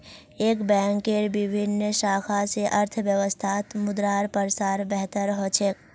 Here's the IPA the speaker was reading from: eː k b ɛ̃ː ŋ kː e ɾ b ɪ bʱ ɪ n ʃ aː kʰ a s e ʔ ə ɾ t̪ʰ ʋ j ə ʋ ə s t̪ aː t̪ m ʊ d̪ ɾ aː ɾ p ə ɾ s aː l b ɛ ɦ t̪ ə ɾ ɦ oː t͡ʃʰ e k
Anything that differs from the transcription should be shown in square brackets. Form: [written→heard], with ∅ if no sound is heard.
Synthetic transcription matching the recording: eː k b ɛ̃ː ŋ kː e ɾ b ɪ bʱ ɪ n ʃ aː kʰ a s e ʔ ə ɾ t̪ʰ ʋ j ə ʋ ə s [t̪→t̪ʰ] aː t̪ m ʊ d̪ ɾ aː ɾ p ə ɾ s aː [l→ɾ] b ɛ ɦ t̪ ə ɾ ɦ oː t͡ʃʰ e k